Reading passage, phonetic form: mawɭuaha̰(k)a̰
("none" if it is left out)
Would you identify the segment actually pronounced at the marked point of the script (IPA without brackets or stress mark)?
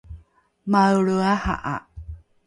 ʔ